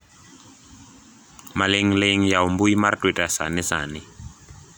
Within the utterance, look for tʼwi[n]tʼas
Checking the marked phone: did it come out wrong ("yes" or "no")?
yes